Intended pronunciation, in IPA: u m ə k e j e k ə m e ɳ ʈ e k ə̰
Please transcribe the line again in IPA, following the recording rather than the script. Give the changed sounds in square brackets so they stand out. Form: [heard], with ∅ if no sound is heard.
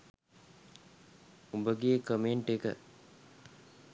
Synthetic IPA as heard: u [b] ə [ɡ] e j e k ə m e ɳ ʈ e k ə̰